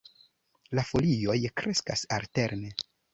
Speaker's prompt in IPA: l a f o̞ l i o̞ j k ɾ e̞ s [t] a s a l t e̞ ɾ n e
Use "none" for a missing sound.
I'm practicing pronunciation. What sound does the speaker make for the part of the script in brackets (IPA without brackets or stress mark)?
k